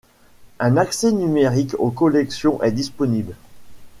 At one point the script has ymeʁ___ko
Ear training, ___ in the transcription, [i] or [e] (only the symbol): i